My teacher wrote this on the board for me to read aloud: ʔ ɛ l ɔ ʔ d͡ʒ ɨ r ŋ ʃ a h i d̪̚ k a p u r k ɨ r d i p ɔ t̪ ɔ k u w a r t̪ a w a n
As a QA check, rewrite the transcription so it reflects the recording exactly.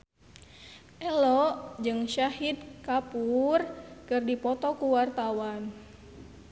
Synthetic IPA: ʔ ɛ l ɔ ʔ d͡ʒ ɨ ŋ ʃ a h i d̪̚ k a p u r k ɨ r d i p ɔ t̪ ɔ k u w a r t̪ a w a n